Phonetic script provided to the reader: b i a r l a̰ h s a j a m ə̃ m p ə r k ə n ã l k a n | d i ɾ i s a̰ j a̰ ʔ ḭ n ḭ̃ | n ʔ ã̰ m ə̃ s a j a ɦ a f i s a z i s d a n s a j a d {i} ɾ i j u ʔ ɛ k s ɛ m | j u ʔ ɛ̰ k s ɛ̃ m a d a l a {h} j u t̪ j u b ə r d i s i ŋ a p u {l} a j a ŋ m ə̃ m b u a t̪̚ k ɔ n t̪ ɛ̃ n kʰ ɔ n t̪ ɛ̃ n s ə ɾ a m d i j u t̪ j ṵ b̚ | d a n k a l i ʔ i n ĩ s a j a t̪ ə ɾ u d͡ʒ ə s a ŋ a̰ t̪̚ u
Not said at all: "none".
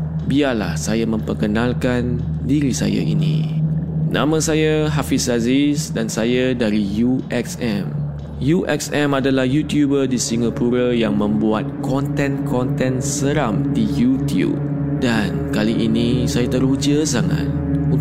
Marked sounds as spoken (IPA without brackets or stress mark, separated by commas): a, h, ɾ